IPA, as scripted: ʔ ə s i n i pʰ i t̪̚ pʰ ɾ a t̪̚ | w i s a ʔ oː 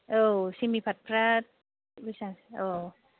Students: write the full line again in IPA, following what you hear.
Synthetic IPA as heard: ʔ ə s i m i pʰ a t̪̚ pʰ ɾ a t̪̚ | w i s a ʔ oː